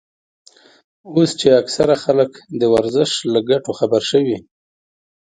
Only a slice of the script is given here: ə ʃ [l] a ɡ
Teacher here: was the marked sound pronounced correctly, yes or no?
yes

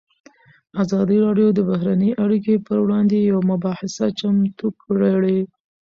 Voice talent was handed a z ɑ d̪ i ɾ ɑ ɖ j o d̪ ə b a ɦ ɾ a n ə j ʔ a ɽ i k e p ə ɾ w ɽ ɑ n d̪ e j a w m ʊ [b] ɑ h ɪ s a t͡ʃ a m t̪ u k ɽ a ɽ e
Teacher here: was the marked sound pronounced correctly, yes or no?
yes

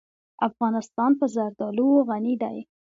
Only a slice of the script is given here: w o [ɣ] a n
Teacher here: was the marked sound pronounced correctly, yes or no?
yes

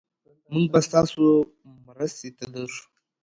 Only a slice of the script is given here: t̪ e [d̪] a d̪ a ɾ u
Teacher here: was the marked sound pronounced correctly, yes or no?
no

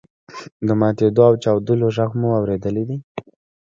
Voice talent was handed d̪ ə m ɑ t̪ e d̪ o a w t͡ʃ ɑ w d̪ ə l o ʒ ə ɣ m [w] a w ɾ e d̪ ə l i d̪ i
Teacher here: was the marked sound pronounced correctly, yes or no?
no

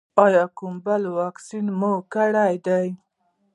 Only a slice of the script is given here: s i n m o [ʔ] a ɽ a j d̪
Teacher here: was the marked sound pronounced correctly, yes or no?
no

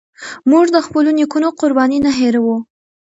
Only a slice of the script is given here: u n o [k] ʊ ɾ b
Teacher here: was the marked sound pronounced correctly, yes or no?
no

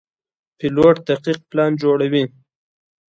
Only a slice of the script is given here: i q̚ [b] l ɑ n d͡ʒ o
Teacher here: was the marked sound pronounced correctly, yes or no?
no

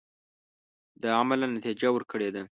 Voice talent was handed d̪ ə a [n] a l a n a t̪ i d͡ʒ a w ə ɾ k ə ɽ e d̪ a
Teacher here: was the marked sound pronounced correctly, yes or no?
no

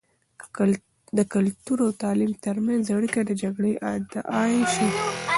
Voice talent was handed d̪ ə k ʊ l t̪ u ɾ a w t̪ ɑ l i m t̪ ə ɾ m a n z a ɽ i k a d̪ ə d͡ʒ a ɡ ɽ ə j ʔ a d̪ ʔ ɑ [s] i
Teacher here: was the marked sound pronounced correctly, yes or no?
no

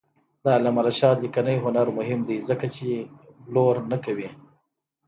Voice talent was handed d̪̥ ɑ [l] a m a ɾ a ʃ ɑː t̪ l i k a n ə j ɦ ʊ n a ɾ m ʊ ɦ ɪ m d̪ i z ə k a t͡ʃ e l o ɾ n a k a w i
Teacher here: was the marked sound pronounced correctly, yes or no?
yes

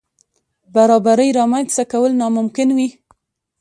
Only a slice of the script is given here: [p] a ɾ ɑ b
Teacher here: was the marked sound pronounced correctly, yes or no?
no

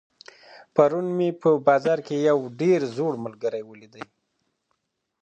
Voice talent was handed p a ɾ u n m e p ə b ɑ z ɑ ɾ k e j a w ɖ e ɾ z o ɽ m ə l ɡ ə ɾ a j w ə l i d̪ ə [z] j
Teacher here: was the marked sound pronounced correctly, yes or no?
no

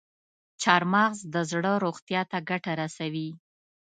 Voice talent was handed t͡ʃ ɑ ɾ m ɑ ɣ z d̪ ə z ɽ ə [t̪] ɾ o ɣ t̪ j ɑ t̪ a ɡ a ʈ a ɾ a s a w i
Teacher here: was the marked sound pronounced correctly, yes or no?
no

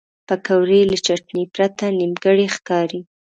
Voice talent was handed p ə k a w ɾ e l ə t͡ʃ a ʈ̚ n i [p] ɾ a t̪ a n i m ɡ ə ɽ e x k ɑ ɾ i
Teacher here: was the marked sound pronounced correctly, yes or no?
yes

